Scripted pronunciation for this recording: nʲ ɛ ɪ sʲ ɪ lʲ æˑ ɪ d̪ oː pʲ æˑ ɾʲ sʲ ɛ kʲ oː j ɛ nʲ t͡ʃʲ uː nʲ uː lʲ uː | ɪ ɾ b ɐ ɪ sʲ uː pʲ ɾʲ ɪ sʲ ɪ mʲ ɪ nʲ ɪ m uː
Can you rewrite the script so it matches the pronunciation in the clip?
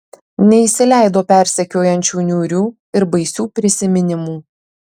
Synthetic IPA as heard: nʲ ɛ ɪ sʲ ɪ lʲ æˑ ɪ d̪ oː pʲ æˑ ɾʲ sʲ ɛ kʲ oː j ɛ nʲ t͡ʃʲ uː nʲ uː ɾʲ uː | ɪ ɾ b ɐ ɪ sʲ uː pʲ ɾʲ ɪ sʲ ɪ mʲ ɪ nʲ ɪ m uː